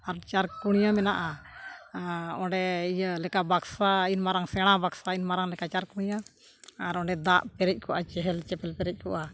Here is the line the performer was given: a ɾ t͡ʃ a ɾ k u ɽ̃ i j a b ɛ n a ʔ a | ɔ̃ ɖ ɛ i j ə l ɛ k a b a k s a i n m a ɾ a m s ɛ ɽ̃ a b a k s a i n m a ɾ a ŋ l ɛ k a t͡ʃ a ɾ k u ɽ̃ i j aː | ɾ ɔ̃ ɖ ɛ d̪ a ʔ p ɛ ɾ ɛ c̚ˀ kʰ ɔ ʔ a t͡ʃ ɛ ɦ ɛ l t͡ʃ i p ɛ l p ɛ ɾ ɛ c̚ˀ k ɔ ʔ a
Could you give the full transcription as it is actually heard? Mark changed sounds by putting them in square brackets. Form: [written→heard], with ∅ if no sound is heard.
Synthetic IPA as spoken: a ɾ t͡ʃ a ɾ k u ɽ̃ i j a [b→m] ɛ n a ʔ a | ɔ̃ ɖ ɛ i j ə l ɛ k a b a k s a i n m a ɾ a [m→ŋ] s ɛ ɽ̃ a b a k s a i n m a ɾ a ŋ l ɛ k a t͡ʃ a ɾ k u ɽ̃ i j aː | ɾ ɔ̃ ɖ ɛ d̪ a ʔ p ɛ ɾ ɛ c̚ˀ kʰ ɔ ʔ a t͡ʃ ɛ ɦ ɛ l t͡ʃ [i→ɛ] p ɛ l p ɛ ɾ ɛ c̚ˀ k ɔ ʔ a